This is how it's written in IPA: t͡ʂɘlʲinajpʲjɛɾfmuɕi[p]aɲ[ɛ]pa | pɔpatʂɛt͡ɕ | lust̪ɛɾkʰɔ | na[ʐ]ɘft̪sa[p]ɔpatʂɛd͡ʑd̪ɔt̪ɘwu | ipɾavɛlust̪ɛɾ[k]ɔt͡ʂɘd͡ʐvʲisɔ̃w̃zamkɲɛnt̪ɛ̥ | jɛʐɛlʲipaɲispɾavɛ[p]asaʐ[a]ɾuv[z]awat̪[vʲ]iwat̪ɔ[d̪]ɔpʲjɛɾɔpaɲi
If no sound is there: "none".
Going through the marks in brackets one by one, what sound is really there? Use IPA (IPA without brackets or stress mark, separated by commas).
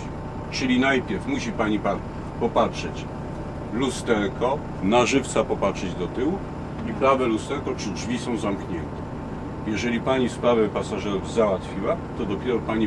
p, i, ʐ, p, k, p, ɛ, z, fʲ, d̪